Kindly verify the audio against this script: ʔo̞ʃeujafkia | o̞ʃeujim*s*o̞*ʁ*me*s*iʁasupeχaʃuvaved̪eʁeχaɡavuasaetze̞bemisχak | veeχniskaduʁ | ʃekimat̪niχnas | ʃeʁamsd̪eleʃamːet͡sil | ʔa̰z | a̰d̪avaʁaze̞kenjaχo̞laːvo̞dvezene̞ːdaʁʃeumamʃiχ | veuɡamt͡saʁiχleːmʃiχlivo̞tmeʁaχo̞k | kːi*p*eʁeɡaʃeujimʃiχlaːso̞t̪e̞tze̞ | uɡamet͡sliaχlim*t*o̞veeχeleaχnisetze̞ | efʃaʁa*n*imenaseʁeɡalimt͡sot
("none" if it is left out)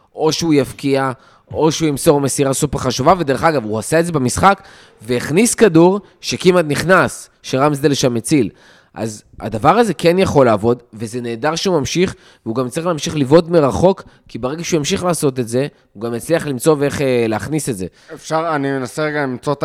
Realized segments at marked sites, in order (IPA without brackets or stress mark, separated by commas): s, ʁ, s, b, t͡s, n